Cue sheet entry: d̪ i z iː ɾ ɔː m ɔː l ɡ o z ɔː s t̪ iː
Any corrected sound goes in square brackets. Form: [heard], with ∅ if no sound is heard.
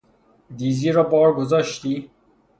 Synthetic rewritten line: d̪ i z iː ɾ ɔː [b] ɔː [ɾ] ɡ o z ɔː [ʃ] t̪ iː